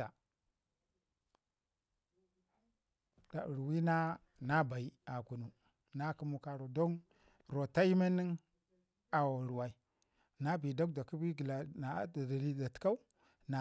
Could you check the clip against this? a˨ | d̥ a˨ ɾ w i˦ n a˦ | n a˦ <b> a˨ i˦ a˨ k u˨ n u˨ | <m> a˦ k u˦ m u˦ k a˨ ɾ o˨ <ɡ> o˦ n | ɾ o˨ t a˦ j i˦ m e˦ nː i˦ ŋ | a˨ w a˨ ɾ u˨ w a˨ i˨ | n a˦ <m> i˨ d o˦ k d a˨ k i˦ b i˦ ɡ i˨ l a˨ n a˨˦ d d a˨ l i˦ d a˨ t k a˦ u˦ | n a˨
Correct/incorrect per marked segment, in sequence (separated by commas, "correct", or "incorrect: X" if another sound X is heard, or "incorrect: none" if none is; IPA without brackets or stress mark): correct, incorrect: n, incorrect: d, incorrect: b